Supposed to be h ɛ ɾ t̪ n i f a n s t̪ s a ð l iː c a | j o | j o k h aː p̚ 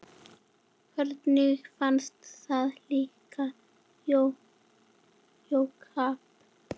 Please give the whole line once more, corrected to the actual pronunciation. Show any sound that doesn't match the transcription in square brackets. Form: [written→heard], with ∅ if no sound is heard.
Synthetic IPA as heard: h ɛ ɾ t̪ n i f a n s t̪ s a ð l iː [c→k] a | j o | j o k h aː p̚